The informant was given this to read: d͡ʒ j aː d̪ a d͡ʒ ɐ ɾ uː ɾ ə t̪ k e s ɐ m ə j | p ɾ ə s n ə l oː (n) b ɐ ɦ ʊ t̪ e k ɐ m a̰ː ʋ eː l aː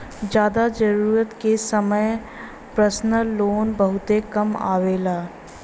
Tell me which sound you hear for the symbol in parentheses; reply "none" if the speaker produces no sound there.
n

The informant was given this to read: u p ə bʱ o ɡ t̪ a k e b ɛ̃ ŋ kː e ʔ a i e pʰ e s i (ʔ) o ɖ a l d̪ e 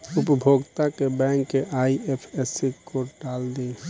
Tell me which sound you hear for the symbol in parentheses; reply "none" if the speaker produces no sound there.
k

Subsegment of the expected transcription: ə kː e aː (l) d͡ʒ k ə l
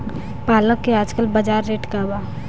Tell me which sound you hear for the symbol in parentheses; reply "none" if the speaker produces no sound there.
none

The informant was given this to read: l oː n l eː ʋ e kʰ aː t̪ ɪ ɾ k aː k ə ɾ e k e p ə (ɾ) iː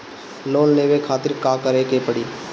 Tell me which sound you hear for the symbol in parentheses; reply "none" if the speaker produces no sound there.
ɽ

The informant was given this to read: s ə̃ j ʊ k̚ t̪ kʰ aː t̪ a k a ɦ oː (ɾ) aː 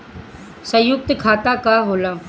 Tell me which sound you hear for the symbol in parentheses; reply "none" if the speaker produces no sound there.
l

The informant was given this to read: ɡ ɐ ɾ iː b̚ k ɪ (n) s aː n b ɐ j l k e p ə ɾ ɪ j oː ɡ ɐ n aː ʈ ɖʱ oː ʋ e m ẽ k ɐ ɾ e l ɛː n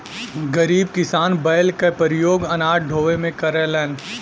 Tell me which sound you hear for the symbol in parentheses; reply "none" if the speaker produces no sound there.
none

